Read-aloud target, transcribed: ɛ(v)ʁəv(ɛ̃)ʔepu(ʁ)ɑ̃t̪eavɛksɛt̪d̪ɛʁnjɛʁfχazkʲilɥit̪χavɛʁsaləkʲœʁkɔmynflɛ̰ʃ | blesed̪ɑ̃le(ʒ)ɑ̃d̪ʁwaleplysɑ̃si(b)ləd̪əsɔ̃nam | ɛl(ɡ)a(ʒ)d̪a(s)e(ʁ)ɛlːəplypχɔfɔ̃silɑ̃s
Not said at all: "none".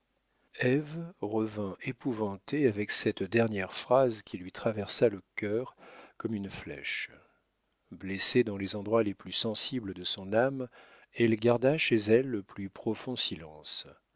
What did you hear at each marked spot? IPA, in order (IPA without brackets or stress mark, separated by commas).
v, ɛ̃, v, z, b, ɡ, ʁ, ʃ, z